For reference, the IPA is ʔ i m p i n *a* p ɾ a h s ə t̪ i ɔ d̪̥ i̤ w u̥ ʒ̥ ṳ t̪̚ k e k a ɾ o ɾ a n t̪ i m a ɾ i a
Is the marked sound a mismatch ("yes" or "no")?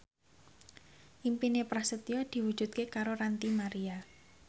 yes